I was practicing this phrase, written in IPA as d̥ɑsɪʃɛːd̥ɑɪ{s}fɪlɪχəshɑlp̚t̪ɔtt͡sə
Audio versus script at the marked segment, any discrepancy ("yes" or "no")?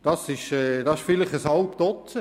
yes